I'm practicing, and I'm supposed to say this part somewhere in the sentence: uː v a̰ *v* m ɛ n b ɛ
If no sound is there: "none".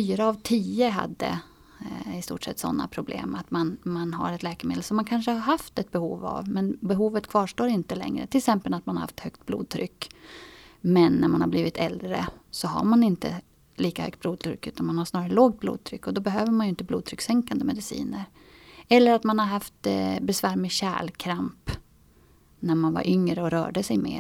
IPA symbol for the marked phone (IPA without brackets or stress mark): v